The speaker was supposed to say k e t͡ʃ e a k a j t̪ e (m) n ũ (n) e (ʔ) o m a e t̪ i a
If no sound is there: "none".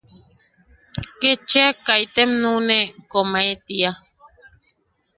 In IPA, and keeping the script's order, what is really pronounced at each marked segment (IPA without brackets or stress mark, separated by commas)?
m, n, k